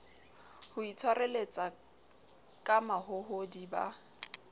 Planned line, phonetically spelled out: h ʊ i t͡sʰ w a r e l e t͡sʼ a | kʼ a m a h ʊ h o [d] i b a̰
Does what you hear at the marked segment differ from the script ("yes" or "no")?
no